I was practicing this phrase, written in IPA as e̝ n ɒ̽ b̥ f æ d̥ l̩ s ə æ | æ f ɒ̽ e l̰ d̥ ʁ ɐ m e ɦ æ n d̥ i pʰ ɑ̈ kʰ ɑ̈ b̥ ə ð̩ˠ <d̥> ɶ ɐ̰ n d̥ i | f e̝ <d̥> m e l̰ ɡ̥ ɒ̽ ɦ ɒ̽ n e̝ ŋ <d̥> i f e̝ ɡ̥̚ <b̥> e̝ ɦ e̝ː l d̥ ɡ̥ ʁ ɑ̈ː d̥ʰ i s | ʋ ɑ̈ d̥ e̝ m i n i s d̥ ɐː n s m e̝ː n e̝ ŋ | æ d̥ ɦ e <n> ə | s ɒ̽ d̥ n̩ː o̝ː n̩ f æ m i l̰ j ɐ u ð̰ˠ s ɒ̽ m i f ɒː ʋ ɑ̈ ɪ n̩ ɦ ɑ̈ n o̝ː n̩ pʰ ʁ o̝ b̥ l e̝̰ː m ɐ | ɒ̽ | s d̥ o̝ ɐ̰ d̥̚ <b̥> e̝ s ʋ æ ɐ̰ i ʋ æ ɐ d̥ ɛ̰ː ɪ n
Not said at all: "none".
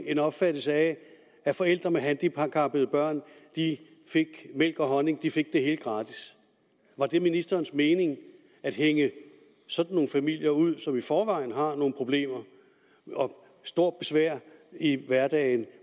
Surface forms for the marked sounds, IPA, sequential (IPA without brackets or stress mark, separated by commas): b̥, ɡ̥, d̥, d̥, ŋ, b̥